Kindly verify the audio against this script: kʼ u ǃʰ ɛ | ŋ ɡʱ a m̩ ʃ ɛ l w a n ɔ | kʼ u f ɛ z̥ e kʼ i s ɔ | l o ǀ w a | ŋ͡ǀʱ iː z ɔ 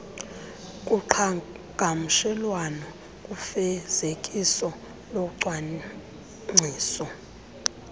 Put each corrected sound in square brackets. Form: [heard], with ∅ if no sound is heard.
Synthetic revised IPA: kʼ u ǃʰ [a] | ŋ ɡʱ a m̩ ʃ ɛ l w a n ɔ | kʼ u f ɛ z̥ e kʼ i s ɔ | l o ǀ w a | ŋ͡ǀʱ iː [s] ɔ